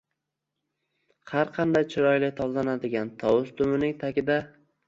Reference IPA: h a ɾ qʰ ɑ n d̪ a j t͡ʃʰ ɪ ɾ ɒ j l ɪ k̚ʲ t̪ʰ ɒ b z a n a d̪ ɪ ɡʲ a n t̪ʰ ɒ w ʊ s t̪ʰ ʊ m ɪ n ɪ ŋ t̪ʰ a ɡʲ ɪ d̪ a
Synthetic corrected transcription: h a ɾ qʰ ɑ n d̪ a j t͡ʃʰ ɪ ɾ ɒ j l ɪ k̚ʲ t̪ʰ ɒ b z a n a d̪ ɪ ɡʲ a n t̪ʰ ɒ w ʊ s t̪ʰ ʊ m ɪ n ɪ ŋ t̪ʰ a kʲ ɪ d̪ a